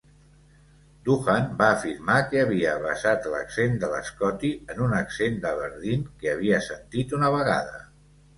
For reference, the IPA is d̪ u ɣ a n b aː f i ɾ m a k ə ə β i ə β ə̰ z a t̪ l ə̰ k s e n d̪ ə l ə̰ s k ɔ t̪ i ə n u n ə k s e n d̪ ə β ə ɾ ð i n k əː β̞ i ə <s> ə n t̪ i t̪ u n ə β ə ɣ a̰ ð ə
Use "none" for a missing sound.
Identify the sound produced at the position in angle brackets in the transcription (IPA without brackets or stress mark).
s